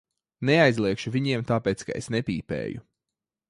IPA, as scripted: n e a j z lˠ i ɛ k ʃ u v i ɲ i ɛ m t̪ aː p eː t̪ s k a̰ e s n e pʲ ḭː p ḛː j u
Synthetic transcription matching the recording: n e a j z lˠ i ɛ k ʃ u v i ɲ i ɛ m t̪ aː p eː t̪ s k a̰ e s n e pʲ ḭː p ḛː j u

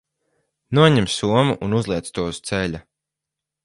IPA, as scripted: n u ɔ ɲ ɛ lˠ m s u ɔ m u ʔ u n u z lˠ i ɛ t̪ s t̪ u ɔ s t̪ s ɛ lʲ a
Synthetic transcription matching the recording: n u ɔ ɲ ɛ m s u ɔ m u ʔ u n u z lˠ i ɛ t̪ s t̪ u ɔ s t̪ s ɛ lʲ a

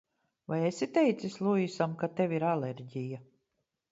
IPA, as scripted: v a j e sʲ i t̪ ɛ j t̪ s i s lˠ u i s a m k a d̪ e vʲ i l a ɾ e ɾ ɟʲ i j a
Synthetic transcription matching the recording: v a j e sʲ i t̪ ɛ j t̪ s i s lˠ u i s a m k a t̪ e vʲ i ɾ a l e ɾ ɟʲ i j a

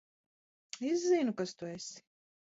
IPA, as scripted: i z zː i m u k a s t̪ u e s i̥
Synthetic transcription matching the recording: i z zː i n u k a s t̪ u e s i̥

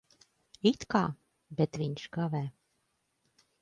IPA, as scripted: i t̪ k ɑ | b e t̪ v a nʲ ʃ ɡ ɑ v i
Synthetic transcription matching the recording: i t̪ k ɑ | b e t̪ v i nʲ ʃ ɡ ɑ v æ

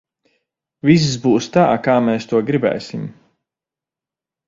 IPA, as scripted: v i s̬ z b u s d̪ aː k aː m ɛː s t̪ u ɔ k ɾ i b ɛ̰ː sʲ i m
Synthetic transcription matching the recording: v i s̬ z b uː s t̪ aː k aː m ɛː s t̪ u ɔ ɡ ɾ i b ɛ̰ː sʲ i m

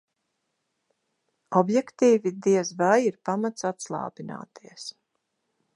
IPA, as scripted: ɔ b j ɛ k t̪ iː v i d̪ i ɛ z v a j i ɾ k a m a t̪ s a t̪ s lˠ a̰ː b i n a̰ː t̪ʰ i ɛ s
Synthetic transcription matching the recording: ɔ b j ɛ k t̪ iː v i d̪ i ɛ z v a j i ɾ p a m a t̪ s a t̪ s lˠ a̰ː b i n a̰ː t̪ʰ i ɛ s

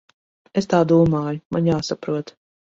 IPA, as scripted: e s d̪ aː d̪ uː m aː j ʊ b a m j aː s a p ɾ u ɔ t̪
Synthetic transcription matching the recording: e s t̪ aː d̪ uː m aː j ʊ m a n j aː s a p ɾ u ɔ t̪

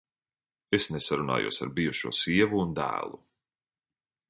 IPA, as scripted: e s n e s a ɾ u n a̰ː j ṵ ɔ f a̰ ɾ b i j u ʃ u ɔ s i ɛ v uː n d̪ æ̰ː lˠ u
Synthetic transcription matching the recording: e s n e s a ɾ u n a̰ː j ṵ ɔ s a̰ ɾ b i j u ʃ u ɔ s i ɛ v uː n d̪ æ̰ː lˠ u

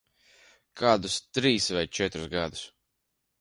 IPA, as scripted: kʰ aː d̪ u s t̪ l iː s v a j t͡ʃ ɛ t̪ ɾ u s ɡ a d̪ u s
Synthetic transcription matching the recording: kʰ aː d̪ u s t̪ ɾ iː s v a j t͡ʃ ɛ t̪ ɾ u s ɡ a d̪ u s

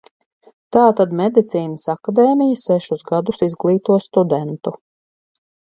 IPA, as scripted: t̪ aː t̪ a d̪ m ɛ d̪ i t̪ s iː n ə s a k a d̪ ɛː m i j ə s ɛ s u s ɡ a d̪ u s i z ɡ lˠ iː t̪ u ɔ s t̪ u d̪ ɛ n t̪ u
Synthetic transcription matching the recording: t̪ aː t̪ a d̪ m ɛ d̪ i t̪ s iː n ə s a k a d̪ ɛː m i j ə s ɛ ʃ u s ɡ a d̪ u s i z ɡ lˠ iː t̪ u ɔ s t̪ u d̪ ɛ n t̪ u

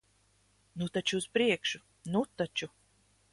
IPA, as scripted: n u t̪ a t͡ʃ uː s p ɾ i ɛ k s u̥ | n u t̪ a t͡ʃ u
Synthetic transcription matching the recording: n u t̪ a t͡ʃ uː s p ɾ i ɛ k ʃ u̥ | n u t̪ a t͡ʃ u

